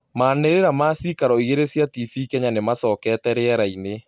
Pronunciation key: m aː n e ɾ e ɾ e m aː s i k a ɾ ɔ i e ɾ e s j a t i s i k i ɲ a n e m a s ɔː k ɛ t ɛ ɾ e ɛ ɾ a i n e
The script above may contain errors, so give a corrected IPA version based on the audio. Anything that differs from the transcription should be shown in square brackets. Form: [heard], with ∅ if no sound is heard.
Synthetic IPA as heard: m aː n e ɾ e ɾ [a] m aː s i k a ɾ ɔ i e ɾ e s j a t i [f] i k [ɛ] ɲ a n e m a s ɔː k ɛ t ɛ ɾ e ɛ ɾ a i n e

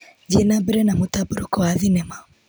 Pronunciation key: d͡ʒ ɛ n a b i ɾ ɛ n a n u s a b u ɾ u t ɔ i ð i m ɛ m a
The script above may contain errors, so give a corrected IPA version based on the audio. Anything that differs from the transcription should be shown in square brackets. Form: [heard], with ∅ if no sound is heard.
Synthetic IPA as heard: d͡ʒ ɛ n a b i ɾ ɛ n a [m] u [t] a b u ɾ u [k] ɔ [a] ð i [n] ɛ m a

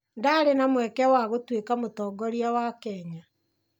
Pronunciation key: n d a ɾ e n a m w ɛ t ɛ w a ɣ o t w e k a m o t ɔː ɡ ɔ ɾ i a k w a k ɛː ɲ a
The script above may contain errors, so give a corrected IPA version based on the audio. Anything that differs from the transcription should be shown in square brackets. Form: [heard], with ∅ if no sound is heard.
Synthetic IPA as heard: n d a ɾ e n a m w ɛ [k] ɛ w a ɣ o t w e k a m o t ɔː ɡ ɔ ɾ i a [∅] w a k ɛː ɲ a

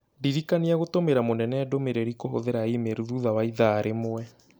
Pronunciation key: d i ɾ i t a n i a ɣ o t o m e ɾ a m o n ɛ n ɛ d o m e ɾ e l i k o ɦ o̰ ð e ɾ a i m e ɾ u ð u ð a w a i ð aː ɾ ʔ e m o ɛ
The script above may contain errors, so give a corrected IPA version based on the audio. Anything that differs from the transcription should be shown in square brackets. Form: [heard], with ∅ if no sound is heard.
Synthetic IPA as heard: d i ɾ i [k] a n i a ɣ o t o m e ɾ a m o n ɛ n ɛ d o m e ɾ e [ɾ] i k o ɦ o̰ ð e ɾ a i m e ɾ u ð u ð a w a i ð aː ɾ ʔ e m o ɛ

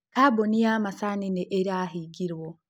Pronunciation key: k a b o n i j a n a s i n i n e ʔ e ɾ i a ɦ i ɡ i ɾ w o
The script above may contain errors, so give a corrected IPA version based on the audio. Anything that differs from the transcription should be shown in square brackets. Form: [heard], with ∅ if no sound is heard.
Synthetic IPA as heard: k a b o n i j a [m] a s [a] n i n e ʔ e ɾ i a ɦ i ɡ i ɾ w o

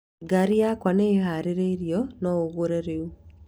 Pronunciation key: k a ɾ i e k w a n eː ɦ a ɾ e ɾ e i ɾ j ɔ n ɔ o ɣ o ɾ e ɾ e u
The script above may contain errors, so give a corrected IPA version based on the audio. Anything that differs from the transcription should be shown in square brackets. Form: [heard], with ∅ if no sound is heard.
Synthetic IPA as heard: [ɡ] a ɾ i [a] k w a n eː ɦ a ɾ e ɾ e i ɾ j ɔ n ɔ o ɣ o ɾ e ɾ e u

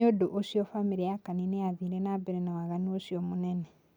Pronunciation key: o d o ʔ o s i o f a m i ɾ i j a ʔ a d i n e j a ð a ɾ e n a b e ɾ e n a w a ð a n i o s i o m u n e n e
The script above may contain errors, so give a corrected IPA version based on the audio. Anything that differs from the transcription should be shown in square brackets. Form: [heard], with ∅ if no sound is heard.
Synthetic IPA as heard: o d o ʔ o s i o f a m i ɾ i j a [k] a [n] i n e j a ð [i] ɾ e n a b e ɾ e n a w a [ɣ] a n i o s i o m u n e n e

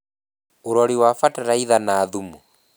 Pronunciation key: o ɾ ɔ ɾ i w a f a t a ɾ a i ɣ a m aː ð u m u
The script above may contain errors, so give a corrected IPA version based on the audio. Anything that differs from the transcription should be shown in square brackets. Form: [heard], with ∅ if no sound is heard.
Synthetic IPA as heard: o ɾ ɔ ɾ i w a f a t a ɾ a i [ð] a [n] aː ð u m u

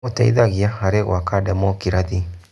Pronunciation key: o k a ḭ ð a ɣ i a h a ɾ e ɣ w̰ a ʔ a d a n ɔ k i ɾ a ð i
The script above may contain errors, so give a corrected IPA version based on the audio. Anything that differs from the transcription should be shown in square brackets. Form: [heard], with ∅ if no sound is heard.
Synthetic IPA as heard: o [t] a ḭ ð a ɣ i a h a ɾ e ɣ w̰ a [k] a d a [m] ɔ k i ɾ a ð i

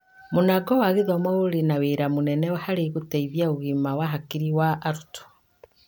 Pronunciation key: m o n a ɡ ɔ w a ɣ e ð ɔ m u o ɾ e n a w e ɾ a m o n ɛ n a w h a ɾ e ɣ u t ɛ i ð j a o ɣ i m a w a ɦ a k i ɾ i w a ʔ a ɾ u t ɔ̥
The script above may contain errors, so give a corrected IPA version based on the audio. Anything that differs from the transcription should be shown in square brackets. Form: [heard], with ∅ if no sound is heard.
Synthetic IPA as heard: m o n a ɡ ɔ w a ɣ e ð ɔ m [ɔ] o ɾ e n a w e ɾ a m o n ɛ n [ɛ] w h a ɾ e ɣ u t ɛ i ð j a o ɣ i m a w a ɦ a k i ɾ i w a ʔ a ɾ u t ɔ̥

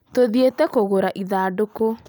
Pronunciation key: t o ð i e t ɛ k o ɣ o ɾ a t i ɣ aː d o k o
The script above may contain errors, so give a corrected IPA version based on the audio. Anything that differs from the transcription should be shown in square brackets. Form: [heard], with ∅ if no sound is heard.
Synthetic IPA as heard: t o ð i e t ɛ k o ɣ o ɾ a [ʔ] i [ð] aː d o k o

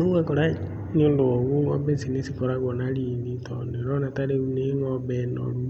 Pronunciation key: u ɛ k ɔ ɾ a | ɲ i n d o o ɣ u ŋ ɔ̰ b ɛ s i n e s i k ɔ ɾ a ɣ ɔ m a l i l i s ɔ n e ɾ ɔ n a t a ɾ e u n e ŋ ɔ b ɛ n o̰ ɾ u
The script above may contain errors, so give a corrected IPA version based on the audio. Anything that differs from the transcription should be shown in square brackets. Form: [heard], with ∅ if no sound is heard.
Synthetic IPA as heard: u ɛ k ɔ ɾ a | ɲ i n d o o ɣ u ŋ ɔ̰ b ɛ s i n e s i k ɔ ɾ a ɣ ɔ [n] a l i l i [t] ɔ n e ɾ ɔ n a t a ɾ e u n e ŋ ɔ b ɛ n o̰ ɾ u

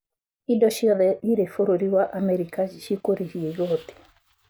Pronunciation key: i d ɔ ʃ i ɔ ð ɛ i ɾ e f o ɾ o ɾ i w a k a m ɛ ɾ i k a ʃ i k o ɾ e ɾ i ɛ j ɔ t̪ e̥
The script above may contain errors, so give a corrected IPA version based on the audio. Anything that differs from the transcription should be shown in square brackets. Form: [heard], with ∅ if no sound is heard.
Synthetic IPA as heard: i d ɔ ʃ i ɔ ð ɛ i ɾ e f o ɾ o ɾ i w a [ʔ] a m ɛ ɾ i k a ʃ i k o ɾ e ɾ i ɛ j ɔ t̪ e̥

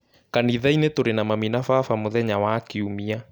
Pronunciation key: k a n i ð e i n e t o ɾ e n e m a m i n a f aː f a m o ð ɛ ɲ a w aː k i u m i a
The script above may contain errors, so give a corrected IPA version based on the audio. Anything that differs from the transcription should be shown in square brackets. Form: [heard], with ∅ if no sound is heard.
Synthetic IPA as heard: k a n i ð [a] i n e t o ɾ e n [a] m a m i n a f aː f a m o ð ɛ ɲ a w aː k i u m i a

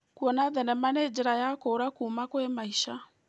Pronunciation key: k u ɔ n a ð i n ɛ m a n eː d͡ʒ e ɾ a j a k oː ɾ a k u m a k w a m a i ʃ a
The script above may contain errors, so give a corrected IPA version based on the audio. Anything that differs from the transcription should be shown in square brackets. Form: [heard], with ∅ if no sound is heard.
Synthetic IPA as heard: k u ɔ n a ð [ɛ] n ɛ m a n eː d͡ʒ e ɾ a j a k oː ɾ a k u m a k w [e] m a i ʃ a

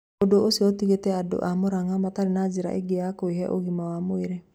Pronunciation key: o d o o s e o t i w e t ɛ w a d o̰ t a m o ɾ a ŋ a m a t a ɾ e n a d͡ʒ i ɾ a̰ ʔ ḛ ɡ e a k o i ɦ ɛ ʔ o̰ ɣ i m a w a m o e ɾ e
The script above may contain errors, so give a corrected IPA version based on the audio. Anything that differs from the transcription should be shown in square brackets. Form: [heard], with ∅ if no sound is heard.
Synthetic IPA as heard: o d o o s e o t i [ɣ] e t ɛ [∅] a d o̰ [ʔ] a m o ɾ a ŋ a m a t a ɾ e n a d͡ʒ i ɾ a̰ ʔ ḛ ɡ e a k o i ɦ ɛ ʔ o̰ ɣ i m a w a m o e ɾ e

